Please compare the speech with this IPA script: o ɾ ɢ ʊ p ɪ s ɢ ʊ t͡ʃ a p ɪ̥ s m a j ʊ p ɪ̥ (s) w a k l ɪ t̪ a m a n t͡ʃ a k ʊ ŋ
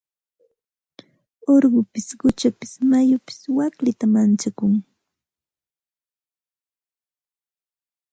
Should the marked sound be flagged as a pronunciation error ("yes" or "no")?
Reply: no